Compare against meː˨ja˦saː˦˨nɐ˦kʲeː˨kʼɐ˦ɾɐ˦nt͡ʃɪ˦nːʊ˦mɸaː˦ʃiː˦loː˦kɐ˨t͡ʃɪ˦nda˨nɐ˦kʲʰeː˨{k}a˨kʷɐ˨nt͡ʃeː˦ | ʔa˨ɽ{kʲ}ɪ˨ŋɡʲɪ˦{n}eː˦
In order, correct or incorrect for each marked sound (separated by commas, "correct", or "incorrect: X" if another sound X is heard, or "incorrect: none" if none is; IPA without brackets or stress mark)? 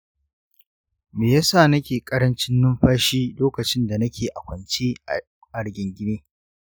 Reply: incorrect: ʔ, incorrect: ɡʲ, correct